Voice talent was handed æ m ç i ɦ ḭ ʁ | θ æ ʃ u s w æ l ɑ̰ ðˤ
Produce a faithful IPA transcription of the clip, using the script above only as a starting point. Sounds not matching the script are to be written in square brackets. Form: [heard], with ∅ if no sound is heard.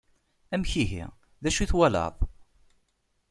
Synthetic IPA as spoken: æ m ç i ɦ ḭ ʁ | [ð] æ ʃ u [θ] w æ l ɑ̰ ðˤ

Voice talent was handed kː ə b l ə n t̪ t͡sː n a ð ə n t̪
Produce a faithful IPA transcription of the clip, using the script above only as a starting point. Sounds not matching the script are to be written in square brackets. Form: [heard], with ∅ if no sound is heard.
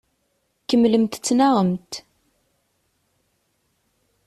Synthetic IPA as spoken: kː ə [m] l ə [m] t̪ t͡sː n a [ʁ] ə [m] t̪

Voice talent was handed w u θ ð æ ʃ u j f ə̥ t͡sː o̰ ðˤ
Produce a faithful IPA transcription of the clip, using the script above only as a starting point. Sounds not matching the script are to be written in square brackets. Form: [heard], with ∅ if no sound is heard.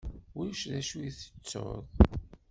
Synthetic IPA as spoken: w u [ʃ] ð æ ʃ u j [θ] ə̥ t͡sː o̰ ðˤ

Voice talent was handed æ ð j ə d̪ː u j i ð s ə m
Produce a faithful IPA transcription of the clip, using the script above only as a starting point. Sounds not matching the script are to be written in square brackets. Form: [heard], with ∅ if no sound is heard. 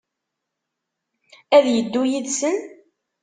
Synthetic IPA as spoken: æ ð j ə d̪ː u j i ð s ə [n]

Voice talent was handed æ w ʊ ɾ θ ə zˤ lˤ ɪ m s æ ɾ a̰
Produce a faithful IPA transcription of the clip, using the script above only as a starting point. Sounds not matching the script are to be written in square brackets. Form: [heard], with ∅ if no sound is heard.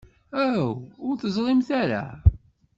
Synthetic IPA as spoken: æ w ʊ ɾ θ ə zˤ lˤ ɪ m [θ] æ ɾ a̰

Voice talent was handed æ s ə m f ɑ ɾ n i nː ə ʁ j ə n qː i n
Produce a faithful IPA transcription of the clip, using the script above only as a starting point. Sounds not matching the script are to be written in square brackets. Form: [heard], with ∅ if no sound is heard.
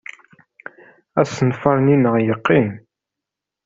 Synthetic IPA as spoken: æ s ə [n] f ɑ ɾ n i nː ə ʁ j ə [∅] qː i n

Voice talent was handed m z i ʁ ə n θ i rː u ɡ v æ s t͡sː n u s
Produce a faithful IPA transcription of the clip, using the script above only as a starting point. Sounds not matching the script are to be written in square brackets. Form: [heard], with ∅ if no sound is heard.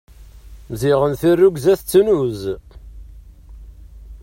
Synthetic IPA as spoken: m z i ʁ ə n θ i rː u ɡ [z] æ [θ] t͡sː n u [z]

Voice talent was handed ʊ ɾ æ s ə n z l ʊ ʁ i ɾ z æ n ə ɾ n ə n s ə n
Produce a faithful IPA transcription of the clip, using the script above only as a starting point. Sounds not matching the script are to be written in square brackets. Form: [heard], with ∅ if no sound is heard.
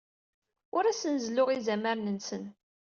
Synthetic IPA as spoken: ʊ ɾ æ s ə n z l ʊ ʁ i [∅] z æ [m] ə ɾ n ə n s ə n

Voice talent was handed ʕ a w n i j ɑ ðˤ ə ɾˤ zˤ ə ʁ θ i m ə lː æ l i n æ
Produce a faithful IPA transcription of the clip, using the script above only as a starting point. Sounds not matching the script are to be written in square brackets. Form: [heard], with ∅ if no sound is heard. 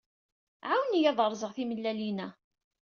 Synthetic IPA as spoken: ʕ a w n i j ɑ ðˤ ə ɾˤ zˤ ə ʁ θ i m ə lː æ l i n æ

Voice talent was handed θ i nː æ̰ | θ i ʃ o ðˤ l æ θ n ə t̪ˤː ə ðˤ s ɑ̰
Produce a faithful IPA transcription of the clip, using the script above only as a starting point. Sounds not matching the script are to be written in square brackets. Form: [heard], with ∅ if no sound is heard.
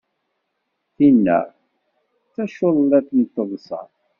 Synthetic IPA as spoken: θ i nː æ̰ | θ [æ] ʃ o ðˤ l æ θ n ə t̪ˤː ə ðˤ s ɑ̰

